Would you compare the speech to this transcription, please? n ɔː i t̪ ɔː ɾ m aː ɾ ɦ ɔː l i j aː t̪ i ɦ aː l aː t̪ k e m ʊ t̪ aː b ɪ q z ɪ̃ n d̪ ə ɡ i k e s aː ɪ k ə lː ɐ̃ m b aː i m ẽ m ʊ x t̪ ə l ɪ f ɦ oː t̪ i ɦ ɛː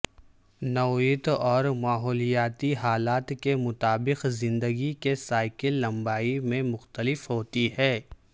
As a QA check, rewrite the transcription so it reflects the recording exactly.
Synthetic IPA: n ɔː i t̪ ɔː ɾ m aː ɦ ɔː l i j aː t̪ i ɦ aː l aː t̪ k e m ʊ t̪ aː b ɪ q z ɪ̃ n d̪ ə ɡ i k e s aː ɪ k ə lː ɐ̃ m b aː i m ẽ m ʊ x t̪ ə l ɪ f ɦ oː t̪ i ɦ ɛː